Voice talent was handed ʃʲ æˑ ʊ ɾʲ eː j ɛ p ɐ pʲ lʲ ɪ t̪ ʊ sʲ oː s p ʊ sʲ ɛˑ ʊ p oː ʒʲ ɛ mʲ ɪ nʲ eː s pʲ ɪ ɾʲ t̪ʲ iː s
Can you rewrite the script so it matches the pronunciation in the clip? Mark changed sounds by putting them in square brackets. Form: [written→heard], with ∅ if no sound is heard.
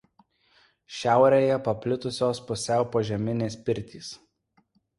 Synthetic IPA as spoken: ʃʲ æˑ ʊ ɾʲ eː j ɛ p ɐ pʲ lʲ ɪ t̪ ʊ sʲ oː s p ʊ sʲ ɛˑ ʊ p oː ʒʲ ɛ mʲ ɪ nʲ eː s pʲ ɪ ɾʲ t̪ʲ iː s